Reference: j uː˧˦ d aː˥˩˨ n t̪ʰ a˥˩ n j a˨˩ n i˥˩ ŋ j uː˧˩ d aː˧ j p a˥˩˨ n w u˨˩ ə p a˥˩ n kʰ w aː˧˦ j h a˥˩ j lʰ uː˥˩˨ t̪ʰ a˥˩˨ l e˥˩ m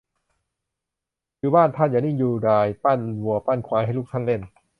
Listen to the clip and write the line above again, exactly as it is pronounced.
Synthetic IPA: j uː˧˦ b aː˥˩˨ n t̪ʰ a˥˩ n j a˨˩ n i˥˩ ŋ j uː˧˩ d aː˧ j p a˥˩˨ n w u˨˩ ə p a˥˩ n kʰ w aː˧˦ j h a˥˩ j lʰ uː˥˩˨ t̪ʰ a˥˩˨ l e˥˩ n